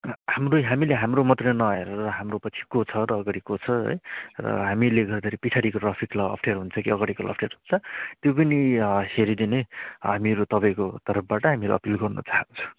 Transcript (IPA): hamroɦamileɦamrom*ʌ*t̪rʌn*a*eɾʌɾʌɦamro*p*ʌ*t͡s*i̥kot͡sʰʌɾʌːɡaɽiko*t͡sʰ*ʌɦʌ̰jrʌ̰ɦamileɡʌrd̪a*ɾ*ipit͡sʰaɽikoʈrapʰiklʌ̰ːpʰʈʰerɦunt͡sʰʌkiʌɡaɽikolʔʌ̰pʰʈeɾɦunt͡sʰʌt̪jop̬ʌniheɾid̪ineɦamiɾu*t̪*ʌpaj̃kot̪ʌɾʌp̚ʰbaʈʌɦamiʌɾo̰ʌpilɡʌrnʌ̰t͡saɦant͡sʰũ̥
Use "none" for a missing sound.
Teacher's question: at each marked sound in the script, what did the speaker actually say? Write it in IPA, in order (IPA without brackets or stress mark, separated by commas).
ʌ, ʌ, p, t͡sʰ, t͡sʰ, ɾ, t̪